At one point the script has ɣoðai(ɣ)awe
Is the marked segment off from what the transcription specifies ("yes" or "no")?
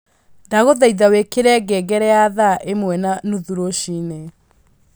yes